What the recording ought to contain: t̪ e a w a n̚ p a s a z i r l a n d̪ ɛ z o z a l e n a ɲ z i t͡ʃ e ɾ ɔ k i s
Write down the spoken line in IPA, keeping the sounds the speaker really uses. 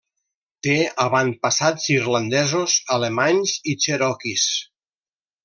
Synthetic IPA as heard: t̪ e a β a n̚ p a s a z i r l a n d̪ ɛ z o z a l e m a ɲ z i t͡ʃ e ɾ ɔ k i s

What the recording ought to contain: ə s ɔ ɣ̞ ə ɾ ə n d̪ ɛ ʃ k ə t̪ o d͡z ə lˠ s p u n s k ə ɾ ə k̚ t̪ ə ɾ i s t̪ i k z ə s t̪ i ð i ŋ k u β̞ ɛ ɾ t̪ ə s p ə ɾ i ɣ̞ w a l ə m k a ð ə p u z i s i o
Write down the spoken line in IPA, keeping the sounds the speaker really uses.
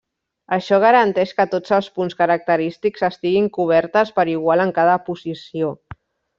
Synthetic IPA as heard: ə ʃ ɔ ɣ̞ ə ɾ ə n t̪ ɛ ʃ k ə t̪ o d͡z ə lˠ s p u n s k ə ɾ ə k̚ t̪ ə ɾ i s t̪ i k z ə s t̪ i ɣ i ŋ k u β̞ ɛ ɾ t̪ ə s p ə ɾ i ɣ̞ w a l ə ŋ k a ð ə p u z i s i o

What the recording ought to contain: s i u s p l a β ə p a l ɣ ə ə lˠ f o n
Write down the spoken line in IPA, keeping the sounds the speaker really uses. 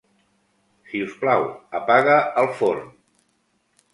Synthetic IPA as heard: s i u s p l a w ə p a ɣ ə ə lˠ f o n

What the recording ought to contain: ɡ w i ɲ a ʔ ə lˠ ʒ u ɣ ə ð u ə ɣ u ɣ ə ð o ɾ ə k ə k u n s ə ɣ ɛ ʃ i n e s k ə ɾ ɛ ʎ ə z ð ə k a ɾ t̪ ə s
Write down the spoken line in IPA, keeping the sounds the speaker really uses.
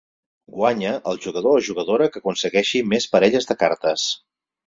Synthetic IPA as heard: ɡ w a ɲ ə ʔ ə lˠ ʒ u ɣ ə ð o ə ʒ u ɣ ə ð o ɾ ə k ə k u n s ə ɣ ɛ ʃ i m e s p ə ɾ ɛ ʎ ə z ð ə k a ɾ t̪ ə s

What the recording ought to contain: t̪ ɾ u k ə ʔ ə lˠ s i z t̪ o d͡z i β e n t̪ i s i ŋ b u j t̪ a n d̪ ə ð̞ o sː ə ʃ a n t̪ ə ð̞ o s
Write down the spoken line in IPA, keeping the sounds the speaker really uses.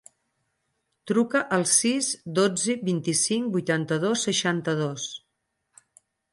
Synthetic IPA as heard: t̪ ɾ u k ə ʔ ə lˠ s i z d̪ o d͡z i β i n t̪ i s i ŋ b u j t̪ a n t̪ ə ð̞ o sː ə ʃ a n t̪ ə ð̞ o s

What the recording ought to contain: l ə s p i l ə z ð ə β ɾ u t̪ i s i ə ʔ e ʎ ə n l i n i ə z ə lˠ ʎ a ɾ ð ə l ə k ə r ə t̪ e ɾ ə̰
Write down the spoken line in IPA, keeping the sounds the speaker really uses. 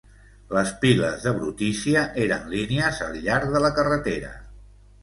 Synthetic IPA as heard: l ə s p i l ə z ð ə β ɾ u t̪ i s i ə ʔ e ɾ ə n l i n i ə z ə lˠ ʎ a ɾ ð ə l ə k ə r ə t̪ e ɾ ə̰

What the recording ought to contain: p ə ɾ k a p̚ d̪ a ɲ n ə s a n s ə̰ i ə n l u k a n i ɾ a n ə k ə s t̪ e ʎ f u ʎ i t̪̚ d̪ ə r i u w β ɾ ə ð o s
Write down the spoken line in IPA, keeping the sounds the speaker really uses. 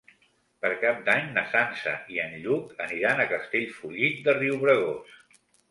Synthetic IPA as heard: p ə ɾ k a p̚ d̪ a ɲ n ə s a n s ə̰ i ə n ʎ u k ə n i ɾ a n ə k ə s t̪ e ʎ f u ʎ i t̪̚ d̪ ə r i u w β ɾ ə ɣ o s

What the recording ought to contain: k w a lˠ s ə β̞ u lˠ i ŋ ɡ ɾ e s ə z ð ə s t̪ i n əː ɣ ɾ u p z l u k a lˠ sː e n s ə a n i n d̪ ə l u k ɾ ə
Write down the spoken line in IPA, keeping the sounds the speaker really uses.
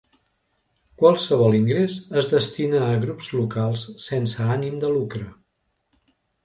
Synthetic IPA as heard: k w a lˠ s ə β̞ ɔ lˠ i ŋ ɡ ɾ e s ə z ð ə s t̪ i n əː ɣ ɾ u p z l u k a lˠ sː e n s ə a n i m d̪ ə l u k ɾ ə

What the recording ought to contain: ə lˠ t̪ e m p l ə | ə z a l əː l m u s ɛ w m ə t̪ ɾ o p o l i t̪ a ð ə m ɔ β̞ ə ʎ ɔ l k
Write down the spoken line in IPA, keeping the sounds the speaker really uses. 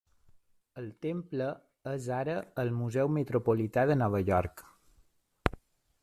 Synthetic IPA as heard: ə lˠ t̪ e m p l ə | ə z a ɾ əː l m u z ɛ w m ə t̪ ɾ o p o l i t̪ a ð ə n ɔ β̞ ə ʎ ɔ ɾ k

